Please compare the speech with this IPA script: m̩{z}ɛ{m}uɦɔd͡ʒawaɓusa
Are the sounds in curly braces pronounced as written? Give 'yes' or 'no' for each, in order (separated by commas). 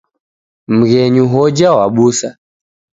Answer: no, no